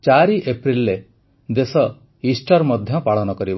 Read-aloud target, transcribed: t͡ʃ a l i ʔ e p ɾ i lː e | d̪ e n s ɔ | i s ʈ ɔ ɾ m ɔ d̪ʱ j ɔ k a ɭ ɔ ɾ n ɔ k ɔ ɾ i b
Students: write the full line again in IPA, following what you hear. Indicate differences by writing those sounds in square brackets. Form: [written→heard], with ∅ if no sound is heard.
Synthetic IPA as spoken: t͡ʃ a [l→ɾ] i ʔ e p ɾ i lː e | d̪ e [n→∅] s ɔ | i s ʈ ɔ ɾ m ɔ d̪ʱ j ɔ [k→p] a ɭ ɔ [ɾ→∅] n ɔ k ɔ ɾ i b